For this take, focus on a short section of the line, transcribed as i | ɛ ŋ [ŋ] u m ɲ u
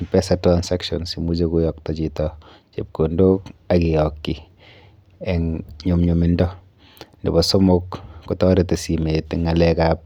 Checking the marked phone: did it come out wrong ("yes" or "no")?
yes